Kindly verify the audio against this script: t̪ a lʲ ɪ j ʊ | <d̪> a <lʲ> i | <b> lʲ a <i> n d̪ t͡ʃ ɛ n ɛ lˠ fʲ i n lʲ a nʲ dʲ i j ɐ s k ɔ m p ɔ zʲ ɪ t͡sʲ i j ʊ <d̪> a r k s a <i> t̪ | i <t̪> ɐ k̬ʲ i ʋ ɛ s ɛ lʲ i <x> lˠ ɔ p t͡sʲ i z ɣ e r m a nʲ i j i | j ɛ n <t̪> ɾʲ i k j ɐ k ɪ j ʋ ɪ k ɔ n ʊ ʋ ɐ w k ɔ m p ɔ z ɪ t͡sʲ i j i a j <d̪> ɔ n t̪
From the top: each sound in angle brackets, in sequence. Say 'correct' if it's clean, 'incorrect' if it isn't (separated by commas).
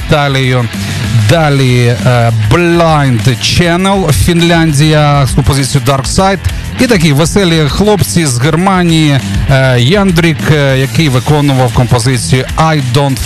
correct, correct, correct, incorrect, correct, incorrect, correct, correct, incorrect, correct